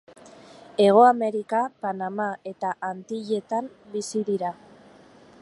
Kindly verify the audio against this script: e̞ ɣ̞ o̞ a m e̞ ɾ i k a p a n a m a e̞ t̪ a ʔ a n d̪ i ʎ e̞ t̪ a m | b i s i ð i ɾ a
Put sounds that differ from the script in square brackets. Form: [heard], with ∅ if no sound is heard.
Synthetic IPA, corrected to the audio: e̞ ɣ̞ o̞ a m e̞ ɾ i k a p a n a m a e̞ t̪ a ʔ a n [t̪] i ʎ e̞ t̪ a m | b i s i ð i ɾ a